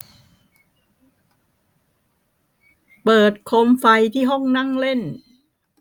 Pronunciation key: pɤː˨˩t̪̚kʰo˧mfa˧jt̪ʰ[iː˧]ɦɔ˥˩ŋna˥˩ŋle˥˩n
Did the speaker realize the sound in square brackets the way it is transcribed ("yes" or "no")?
no